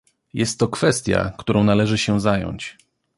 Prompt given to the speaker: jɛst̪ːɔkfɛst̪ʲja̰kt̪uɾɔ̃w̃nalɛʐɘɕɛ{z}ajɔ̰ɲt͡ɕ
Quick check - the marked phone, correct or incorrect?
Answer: correct